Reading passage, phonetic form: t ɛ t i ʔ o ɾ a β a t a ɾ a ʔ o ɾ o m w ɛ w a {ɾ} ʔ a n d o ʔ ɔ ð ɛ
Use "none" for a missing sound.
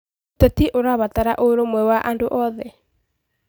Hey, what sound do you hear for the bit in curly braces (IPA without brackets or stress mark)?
none